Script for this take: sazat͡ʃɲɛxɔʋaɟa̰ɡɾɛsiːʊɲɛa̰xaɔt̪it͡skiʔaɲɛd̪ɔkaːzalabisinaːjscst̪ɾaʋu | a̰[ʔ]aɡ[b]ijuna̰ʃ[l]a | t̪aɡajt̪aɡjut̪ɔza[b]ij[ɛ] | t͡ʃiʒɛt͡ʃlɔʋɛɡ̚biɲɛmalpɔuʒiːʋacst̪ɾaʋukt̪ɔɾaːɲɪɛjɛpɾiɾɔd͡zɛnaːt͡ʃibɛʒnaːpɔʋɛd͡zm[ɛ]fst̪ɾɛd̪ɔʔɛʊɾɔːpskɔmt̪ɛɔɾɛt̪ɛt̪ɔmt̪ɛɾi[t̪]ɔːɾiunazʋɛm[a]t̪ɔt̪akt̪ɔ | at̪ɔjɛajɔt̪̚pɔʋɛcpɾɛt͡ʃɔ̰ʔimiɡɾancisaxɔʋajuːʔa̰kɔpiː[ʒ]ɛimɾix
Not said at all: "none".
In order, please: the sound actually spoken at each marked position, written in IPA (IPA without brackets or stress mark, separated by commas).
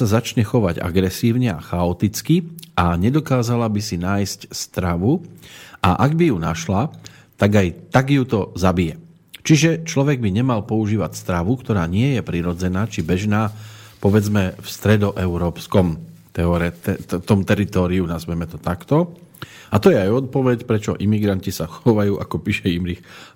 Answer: ʔ, b, l, b, ɛ, ɛ, t̪, ɛ, ʃ